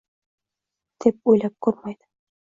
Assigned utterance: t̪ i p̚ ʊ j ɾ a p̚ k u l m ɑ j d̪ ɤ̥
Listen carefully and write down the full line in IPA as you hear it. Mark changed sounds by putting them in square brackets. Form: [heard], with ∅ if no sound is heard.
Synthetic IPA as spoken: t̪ i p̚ [u] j [l] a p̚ k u [ɾ] m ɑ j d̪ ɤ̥